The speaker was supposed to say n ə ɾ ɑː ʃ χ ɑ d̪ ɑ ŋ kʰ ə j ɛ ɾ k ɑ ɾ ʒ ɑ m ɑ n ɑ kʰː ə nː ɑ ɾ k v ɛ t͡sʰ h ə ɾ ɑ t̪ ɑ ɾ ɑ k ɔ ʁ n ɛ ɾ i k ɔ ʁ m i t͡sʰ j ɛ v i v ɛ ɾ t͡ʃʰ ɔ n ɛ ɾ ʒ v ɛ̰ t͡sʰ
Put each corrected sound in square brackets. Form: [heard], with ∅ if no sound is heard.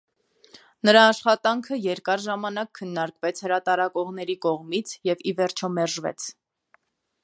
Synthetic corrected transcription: n ə ɾ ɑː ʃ χ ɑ [t̪] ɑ ŋ kʰ ə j ɛ ɾ k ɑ ɾ ʒ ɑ m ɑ n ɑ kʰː ə nː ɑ ɾ k v ɛ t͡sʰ h ə ɾ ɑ t̪ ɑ ɾ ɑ k ɔ ʁ n ɛ ɾ i k ɔ ʁ m i t͡sʰ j ɛ v i v ɛ ɾ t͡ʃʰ ɔ [m] ɛ ɾ ʒ v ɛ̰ t͡sʰ